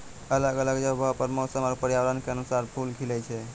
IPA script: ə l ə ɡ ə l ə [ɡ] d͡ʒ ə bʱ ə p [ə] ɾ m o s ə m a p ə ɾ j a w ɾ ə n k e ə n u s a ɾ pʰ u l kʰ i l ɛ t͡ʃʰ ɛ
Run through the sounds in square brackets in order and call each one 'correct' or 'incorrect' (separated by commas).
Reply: correct, correct